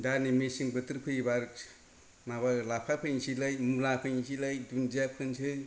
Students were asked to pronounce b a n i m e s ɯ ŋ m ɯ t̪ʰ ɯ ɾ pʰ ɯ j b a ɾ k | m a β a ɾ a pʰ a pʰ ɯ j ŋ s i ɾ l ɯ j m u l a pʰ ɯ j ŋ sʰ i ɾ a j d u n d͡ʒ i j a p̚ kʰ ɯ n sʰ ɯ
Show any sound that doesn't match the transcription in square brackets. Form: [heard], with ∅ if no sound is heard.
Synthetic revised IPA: [d] a n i m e s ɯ ŋ [b] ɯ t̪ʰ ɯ ɾ pʰ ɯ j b a ɾ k | m a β a [l] a pʰ a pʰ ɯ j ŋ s i [∅] l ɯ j m u l a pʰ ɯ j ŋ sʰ i [l] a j d u n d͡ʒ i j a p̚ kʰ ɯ n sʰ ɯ